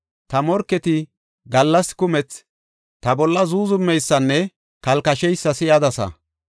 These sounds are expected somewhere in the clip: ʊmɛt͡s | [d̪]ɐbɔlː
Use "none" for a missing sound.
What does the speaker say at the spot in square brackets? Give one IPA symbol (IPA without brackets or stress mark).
t̪